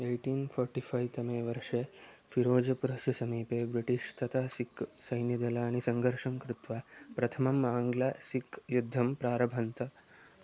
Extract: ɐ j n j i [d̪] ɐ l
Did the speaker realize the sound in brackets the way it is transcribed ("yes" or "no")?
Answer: yes